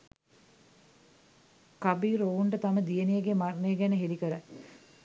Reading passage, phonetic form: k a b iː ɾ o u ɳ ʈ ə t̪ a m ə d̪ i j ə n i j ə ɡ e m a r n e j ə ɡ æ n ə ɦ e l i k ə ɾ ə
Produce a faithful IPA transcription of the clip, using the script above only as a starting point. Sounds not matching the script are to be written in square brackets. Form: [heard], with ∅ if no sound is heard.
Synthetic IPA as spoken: k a b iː ɾ o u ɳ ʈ ə t̪ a m ə d̪ i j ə n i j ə ɡ e m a r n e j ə ɡ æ n ə ɦ e l i k ə ɾ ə